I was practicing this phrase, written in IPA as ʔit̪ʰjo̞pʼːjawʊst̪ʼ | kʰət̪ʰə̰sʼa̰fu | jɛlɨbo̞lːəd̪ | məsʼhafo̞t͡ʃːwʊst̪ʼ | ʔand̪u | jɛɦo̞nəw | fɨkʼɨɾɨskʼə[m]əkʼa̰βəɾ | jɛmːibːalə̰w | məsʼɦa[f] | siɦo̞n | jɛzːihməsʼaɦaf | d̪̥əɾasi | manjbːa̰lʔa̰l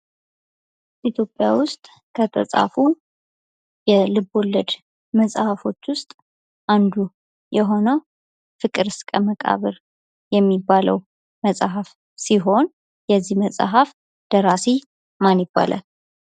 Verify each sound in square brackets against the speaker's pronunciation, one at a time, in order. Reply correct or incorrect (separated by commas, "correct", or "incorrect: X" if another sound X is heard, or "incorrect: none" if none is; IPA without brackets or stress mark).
correct, correct